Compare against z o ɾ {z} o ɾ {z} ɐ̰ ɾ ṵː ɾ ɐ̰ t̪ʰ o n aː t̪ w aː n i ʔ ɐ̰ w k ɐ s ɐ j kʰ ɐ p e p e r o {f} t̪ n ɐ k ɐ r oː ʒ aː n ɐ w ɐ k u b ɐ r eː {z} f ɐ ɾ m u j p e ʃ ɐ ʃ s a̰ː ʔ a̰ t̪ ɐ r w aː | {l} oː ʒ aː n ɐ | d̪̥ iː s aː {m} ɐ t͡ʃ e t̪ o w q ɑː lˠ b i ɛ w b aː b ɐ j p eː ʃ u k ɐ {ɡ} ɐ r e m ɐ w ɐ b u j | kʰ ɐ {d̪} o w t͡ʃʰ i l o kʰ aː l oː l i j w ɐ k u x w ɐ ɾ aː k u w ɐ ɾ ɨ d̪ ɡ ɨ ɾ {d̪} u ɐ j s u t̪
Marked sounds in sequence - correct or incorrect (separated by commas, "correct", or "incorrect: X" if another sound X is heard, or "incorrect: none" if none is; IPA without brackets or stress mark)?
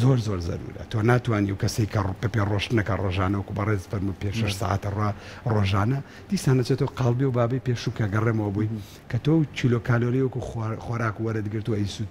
correct, correct, incorrect: ʃ, correct, incorrect: r, incorrect: n, correct, incorrect: t̪, incorrect: t̪